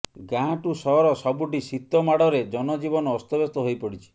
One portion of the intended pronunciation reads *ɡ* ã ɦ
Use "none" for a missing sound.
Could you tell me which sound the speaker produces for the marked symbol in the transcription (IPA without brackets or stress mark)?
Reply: ɡ